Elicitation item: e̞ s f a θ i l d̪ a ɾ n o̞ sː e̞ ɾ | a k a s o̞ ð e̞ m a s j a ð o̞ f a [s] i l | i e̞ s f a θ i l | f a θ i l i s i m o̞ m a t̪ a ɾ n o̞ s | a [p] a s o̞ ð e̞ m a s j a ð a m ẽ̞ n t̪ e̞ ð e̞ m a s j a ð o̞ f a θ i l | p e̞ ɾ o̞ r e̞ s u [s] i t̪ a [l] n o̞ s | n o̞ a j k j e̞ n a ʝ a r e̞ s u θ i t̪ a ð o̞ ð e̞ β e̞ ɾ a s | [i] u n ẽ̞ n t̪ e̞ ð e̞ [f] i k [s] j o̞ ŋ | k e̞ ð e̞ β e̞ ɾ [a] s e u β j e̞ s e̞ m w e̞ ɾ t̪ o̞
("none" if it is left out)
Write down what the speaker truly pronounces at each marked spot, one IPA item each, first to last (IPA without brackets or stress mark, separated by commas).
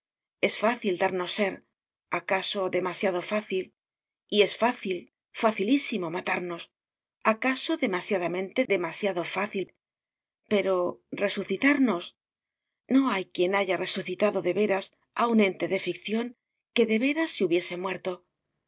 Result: θ, k, θ, ɾ, a, f, θ, a